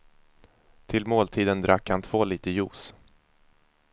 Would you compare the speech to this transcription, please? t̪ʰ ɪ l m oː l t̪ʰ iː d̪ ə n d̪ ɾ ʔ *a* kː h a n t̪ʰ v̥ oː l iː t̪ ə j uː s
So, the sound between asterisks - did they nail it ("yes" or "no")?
yes